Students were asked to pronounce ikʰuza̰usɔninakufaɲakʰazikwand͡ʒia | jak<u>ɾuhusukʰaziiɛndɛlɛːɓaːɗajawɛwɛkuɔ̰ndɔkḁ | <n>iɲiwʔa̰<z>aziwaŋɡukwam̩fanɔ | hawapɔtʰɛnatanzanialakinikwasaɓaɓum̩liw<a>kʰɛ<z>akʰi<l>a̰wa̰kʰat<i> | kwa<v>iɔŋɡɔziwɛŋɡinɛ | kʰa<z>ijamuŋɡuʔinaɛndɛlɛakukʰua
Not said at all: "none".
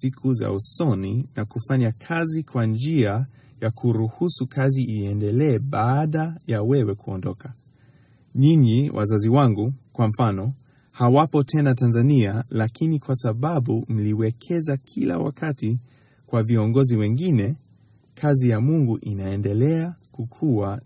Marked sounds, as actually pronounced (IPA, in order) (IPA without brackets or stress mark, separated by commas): u, ɲ, z, ɛ, z, l, i, v, z